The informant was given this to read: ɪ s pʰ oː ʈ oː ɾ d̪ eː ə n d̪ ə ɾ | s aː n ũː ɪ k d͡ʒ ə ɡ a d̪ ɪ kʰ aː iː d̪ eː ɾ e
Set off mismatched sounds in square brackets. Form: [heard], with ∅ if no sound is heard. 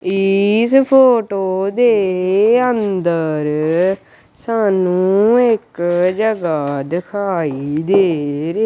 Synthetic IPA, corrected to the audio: ɪ s pʰ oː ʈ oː [∅] d̪ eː ə n d̪ ə ɾ | s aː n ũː ɪ k d͡ʒ ə ɡ a d̪ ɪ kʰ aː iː d̪ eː ɾ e